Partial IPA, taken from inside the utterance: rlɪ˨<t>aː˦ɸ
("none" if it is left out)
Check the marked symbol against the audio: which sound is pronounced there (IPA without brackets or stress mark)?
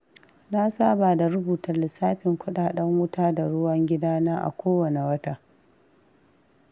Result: s